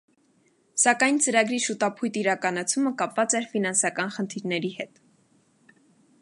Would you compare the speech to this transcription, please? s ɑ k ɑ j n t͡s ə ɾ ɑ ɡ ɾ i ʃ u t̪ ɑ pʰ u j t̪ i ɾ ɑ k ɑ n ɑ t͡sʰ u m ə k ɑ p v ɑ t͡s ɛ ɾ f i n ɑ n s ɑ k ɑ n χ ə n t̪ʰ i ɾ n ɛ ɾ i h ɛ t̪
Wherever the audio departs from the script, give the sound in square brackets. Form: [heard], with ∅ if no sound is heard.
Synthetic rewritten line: s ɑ k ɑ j n t͡s ə ɾ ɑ ɡ ɾ i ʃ u t̪ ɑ pʰ u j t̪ i ɾ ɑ k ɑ n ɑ t͡sʰ u m ə k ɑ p v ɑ t͡s ɛ ɾ f i n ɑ n s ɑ k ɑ n χ ə n t̪ʰ i ɾ n ɛ ɾ i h ɛ t̪